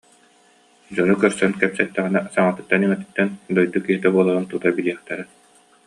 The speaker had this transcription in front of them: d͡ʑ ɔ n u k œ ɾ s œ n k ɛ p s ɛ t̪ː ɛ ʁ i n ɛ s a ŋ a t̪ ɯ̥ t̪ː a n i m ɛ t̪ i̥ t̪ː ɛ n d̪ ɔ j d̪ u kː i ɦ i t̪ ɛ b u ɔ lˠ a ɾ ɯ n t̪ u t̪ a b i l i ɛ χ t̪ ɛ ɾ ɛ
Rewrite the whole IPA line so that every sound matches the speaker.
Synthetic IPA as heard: d͡ʑ ɔ n u k œ ɾ s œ n k ɛ p s ɛ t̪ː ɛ ʁ i n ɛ s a ŋ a t̪ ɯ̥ t̪ː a n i m ɛ t̪ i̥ t̪ː ɛ n d̪ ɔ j d̪ u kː i ɦ i t̪ ɛ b u ɔ lˠ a ɾ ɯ n t̪ u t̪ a b i l i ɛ χ t̪ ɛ ɾ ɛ